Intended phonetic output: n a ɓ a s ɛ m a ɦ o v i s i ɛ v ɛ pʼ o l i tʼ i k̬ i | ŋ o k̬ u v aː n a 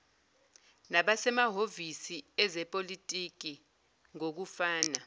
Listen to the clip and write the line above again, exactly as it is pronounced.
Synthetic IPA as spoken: n a ɓ a s ɛ m a ɦ o v i s i ɛ z ɛ pʼ o l i tʼ i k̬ i | ŋ o k̬ u f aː n a